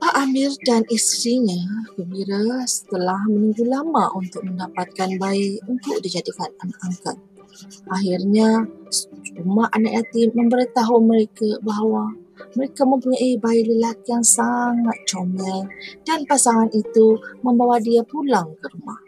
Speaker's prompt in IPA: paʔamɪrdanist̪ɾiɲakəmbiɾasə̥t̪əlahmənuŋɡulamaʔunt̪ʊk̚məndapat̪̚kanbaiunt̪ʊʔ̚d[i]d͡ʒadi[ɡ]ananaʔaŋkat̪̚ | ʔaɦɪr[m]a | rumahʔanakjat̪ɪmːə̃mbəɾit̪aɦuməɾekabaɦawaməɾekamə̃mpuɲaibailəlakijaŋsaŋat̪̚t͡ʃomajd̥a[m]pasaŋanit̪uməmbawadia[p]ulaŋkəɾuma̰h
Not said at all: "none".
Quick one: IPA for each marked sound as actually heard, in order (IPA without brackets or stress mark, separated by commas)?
i, k, ɲ, n, p